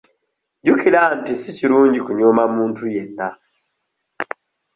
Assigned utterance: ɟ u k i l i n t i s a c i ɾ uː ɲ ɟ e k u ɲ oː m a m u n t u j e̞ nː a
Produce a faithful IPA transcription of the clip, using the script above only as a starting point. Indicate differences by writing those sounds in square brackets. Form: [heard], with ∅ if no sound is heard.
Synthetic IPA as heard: ɟ u k i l [a] n t i s [i] c i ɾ uː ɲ ɟ [i] k u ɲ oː m a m [uː] n t u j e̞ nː a